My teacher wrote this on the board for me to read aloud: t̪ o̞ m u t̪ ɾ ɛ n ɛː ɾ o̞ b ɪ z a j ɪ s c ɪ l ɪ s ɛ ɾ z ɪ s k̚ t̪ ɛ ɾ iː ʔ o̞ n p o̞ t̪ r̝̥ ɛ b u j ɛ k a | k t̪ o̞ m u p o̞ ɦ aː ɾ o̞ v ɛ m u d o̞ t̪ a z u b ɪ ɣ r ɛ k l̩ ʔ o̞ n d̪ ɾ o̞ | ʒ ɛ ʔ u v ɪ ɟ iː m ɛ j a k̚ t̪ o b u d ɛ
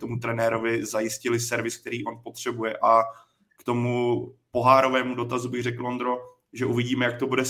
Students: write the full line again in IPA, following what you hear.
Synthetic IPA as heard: t̪ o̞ m u t̪ ɾ ɛ n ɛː ɾ o̞ v ɪ z a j ɪ s c ɪ l ɪ s ɛ ɾ v ɪ s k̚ t̪ ɛ ɾ iː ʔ o̞ n p o̞ t̪ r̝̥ ɛ b u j ɛ ʔ a | k t̪ o̞ m u p o̞ ɦ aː ɾ o̞ v ɛː m u d o̞ t̪ a z u b ɪ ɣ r ɛ k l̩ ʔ o̞ n d̪ ɾ o̞ | ʒ ɛ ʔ u v ɪ ɟ iː m ɛ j a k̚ t̪ o b u d ɛ